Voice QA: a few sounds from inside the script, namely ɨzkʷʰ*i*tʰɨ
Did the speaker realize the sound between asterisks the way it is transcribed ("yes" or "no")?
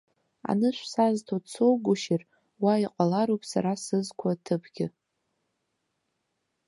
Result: no